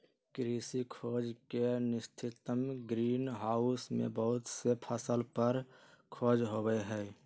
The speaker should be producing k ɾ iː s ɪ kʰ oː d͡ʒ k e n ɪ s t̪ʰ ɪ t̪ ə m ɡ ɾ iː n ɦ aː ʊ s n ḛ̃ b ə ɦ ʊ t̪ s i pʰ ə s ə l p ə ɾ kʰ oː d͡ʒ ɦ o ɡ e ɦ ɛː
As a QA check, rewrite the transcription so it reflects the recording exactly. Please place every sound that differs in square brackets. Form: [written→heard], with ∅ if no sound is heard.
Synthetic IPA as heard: k ɾ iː s [ɪ→i] kʰ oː d͡ʒ k e n ɪ s t̪ʰ ɪ t̪ ə m ɡ ɾ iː n ɦ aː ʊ s [n→m] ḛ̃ b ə ɦ ʊ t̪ s [i→e] pʰ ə s ə l p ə ɾ kʰ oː d͡ʒ ɦ o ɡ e ɦ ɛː